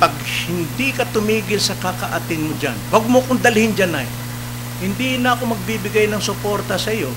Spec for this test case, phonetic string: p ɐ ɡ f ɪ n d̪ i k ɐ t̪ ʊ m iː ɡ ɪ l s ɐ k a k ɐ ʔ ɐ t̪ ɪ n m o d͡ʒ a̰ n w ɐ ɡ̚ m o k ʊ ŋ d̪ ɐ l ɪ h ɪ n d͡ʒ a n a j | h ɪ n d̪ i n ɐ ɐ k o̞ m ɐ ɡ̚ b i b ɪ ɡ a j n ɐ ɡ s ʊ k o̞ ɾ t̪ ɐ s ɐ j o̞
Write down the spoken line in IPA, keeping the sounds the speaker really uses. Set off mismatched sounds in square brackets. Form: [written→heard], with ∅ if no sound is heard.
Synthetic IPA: p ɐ ɡ [f→h] ɪ n d̪ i k ɐ t̪ ʊ m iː ɡ ɪ l s ɐ k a k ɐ ʔ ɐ t̪ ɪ n m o d͡ʒ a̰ n w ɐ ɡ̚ m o k ʊ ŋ d̪ ɐ l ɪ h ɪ n d͡ʒ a n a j | h ɪ n d̪ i n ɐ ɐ k o̞ m ɐ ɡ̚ b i b ɪ ɡ a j n ɐ [ɡ→ŋ] s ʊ [k→p] o̞ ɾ t̪ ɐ s ɐ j o̞